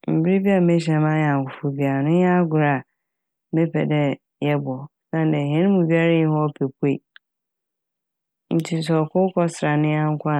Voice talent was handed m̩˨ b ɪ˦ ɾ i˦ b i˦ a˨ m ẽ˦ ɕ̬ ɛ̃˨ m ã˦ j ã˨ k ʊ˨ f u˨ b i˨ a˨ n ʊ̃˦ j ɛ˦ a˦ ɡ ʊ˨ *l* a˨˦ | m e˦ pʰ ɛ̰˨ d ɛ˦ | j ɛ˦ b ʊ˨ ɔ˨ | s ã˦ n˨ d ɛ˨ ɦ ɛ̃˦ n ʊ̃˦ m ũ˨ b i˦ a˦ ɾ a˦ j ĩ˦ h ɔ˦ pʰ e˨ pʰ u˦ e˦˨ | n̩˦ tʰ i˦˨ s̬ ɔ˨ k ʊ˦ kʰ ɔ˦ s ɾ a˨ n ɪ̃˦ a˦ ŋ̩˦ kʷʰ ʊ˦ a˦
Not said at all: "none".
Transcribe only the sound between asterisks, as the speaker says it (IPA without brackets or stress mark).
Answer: ɾ